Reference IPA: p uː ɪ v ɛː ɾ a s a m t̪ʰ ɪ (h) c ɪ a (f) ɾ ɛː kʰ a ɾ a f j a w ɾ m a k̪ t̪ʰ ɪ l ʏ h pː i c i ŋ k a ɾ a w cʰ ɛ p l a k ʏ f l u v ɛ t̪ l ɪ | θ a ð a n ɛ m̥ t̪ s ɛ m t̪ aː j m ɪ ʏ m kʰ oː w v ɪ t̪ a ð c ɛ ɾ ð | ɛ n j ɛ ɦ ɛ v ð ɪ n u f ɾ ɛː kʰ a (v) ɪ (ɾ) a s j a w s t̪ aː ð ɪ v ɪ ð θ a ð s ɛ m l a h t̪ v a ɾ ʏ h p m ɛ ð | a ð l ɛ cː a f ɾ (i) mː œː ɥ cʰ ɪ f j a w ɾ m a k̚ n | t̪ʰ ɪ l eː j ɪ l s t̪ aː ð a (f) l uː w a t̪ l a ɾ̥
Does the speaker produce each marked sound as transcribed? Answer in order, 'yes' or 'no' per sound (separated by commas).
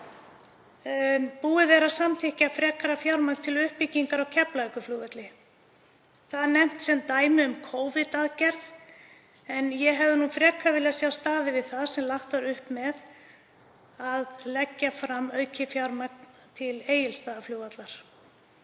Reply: yes, yes, yes, no, no, yes